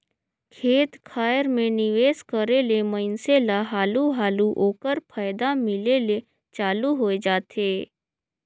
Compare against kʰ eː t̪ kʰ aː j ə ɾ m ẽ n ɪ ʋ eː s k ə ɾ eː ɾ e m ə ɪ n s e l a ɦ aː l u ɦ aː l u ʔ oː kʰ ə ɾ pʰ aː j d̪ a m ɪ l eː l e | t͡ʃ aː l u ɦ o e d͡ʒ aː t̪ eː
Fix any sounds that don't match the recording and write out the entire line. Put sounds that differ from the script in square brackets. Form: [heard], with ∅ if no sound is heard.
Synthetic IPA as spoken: kʰ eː t̪ kʰ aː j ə ɾ m ẽ n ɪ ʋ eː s k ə ɾ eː [l] e m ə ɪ n s e l a ɦ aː l u ɦ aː l u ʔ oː [k] ə ɾ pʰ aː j d̪ a m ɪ l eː l e | t͡ʃ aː l u ɦ o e d͡ʒ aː t̪ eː